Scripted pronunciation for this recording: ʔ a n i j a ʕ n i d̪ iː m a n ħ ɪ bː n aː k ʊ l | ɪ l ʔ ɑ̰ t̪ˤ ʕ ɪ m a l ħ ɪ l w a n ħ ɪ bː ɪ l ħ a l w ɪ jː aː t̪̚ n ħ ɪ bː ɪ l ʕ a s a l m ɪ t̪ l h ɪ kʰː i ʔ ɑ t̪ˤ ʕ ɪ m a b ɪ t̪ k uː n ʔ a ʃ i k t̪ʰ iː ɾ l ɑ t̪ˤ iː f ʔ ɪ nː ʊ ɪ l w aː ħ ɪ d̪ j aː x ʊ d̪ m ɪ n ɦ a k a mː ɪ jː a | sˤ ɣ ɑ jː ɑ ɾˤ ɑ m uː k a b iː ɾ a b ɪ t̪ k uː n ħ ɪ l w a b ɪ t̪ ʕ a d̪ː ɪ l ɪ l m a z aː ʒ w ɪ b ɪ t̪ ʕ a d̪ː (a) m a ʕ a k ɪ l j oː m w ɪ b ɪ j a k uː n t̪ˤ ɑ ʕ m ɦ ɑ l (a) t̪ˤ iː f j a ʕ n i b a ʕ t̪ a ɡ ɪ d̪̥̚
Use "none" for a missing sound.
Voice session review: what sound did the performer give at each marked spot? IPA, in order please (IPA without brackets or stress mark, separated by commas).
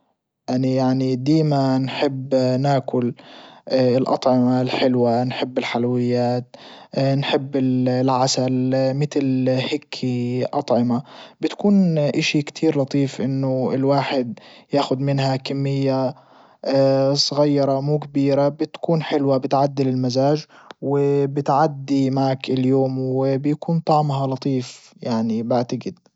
i, ɑ